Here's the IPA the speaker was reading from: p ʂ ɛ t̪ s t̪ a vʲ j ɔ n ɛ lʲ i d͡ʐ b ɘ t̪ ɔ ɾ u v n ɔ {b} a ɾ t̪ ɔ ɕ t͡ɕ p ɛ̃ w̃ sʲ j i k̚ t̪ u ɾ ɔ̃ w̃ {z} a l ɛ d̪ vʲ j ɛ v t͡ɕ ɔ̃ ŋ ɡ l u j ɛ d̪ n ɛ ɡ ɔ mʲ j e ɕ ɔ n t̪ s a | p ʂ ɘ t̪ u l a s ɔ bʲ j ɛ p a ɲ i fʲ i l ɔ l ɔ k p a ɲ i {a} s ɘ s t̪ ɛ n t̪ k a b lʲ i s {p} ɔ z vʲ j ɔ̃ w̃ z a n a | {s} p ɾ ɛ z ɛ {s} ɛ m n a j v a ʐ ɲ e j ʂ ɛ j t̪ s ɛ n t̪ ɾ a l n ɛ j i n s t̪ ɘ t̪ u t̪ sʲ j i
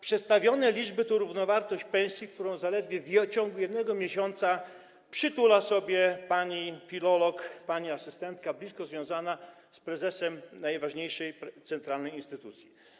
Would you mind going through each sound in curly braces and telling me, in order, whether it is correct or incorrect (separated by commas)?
incorrect, correct, correct, incorrect, correct, correct